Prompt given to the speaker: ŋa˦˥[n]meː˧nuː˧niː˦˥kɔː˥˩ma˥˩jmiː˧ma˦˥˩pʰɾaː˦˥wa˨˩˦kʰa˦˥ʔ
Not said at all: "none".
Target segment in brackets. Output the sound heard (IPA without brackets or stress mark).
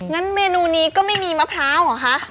n